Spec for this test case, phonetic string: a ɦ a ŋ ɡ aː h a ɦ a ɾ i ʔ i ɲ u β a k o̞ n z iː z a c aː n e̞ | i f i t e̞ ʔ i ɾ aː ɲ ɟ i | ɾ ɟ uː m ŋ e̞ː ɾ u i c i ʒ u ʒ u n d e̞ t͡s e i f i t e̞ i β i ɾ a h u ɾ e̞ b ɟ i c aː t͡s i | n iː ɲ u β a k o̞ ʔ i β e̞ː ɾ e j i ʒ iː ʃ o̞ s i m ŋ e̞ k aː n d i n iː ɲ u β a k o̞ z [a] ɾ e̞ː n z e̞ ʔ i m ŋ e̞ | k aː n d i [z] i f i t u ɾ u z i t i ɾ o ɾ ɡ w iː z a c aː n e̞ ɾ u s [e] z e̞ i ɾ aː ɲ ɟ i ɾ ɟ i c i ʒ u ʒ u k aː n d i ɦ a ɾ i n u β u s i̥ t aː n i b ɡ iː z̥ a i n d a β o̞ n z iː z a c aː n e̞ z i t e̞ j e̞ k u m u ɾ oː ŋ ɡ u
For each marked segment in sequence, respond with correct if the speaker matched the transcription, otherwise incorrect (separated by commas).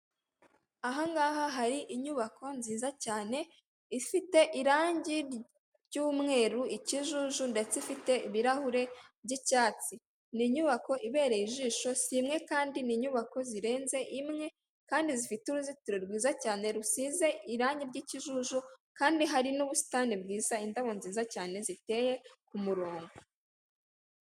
incorrect, correct, incorrect